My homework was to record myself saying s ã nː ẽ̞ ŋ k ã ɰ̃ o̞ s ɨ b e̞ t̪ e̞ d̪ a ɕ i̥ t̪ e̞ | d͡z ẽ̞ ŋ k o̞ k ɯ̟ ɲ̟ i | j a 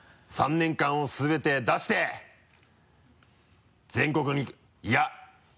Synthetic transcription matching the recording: s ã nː ẽ̞ ŋ k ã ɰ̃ o̞ s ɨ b e̞ t̪ e̞ d̪ a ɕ i̥ t̪ e̞ | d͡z ẽ̞ ŋ k o̞ k ɯ̟ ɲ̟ i | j a